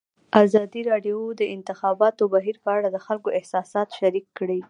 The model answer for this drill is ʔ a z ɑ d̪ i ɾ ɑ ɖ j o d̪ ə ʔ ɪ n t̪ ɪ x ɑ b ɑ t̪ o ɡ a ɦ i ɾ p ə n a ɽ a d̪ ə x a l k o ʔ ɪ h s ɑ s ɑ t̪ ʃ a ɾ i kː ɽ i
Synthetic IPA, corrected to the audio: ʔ a z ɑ d̪ i ɾ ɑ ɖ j o d̪ ə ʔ ɪ n t̪ ɪ x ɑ b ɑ t̪ o b a ɦ i ɾ p ə a ɽ a d̪ ə x a l k o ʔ ɪ h s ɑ s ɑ t̪ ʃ a ɾ i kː ɽ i